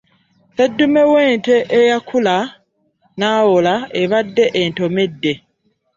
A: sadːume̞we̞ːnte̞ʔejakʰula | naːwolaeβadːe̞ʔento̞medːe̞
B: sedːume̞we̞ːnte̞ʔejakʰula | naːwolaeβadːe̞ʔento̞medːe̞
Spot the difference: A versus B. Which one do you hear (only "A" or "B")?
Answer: B